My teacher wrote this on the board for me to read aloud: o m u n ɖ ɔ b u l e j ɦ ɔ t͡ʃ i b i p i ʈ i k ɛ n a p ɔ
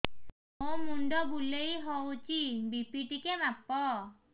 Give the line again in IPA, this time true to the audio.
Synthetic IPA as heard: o m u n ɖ ɔ b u l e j ɦ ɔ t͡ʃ i b i p i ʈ i k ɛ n a p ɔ

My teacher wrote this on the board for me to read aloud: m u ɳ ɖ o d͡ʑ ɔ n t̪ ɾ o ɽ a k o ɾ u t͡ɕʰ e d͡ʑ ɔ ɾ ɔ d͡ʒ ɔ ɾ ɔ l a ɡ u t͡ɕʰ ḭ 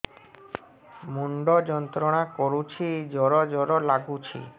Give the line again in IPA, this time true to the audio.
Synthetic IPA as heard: m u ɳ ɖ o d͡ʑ ɔ n t̪ ɾ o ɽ a k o ɾ u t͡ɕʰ i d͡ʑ ɔ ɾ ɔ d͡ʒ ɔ ɾ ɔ l a ɡ u t͡ɕʰ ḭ

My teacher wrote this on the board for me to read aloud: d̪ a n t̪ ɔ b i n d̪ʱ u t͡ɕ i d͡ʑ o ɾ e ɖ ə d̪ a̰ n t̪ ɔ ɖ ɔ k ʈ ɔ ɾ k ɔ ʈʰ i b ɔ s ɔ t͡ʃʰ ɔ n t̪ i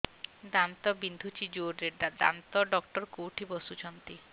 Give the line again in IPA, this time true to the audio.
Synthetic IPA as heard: d̪ a n t̪ ɔ b i n d̪ʱ u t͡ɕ i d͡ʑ o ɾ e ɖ a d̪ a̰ n t̪ ɔ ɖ ɔ k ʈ ɔ ɾ k o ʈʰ i b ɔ s u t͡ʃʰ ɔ n t̪ i

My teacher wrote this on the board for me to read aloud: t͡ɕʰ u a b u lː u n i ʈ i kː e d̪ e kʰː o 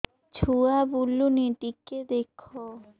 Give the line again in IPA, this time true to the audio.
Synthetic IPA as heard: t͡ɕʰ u a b u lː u n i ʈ i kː e d̪ e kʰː o

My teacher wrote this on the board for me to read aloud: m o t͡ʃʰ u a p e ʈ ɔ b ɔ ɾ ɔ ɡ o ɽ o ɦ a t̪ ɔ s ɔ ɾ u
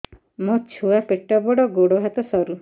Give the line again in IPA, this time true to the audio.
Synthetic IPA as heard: m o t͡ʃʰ u a p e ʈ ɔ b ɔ ɽ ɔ ɡ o ɽ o ɦ a t̪ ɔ s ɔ ɾ u

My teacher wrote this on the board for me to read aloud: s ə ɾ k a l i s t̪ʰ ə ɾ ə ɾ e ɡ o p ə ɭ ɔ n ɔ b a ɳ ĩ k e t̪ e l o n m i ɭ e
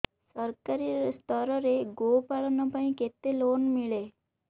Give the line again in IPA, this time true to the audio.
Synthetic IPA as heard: s ə ɾ k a ɾ i s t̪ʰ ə ɾ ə ɾ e ɡ o p a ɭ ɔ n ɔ p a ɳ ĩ k e t̪ e l o n m i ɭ e

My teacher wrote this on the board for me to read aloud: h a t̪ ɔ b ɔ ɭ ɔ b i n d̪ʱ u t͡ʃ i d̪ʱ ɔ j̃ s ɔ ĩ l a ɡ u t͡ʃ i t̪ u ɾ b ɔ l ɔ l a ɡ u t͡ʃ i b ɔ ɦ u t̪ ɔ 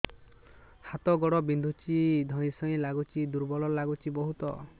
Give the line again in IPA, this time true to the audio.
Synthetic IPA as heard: h a t̪ ɔ ɡ ɔ ɽ ɔ b i n d̪ʱ u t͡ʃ i d̪ʱ ɔ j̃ s ɔ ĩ l a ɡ u t͡ʃ i d̪ u ɾ b ɔ l ɔ l a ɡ u t͡ʃ i b ɔ ɦ u t̪ ɔ

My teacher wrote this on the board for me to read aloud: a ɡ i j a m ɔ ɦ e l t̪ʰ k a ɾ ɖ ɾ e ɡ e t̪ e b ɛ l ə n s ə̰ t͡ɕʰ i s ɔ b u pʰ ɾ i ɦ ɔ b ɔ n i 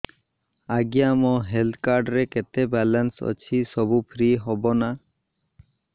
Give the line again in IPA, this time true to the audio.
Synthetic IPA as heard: a ɡ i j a m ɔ ɦ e l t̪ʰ k a ɾ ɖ ɾ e k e t̪ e b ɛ l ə n s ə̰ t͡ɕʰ i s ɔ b u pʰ ɾ i ɦ ɔ b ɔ n a

